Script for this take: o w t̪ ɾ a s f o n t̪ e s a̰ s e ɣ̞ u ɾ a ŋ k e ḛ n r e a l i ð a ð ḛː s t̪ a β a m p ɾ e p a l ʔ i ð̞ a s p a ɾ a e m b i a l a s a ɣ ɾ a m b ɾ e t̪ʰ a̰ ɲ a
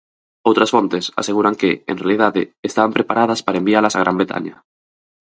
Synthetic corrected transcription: o w t̪ ɾ a s f o n t̪ e s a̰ s e ɣ̞ u ɾ a ŋ k e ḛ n r e a l i ð a ð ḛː s t̪ a β a m p ɾ e p a ɾ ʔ a ð̞ a s p a ɾ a e m b i a l a s a ɣ ɾ a m b ɾ e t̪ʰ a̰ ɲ a